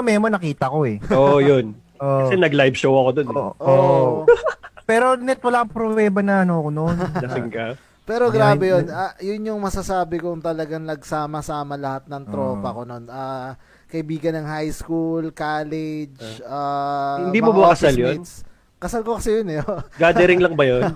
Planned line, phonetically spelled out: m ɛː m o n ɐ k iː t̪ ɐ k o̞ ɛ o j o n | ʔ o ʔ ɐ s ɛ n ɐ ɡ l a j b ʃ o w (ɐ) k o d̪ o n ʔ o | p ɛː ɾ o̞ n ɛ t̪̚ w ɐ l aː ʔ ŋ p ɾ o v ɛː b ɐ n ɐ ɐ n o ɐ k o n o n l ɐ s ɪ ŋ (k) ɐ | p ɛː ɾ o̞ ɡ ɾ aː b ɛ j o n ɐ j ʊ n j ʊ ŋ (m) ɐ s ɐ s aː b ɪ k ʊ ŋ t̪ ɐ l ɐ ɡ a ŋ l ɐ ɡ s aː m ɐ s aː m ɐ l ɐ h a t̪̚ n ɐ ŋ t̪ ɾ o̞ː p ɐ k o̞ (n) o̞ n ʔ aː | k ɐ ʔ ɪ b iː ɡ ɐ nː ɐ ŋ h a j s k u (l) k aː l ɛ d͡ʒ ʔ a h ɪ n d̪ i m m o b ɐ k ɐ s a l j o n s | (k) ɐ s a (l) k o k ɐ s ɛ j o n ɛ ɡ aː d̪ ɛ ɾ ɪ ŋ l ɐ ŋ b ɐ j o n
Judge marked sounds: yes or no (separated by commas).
yes, yes, yes, yes, yes, yes, yes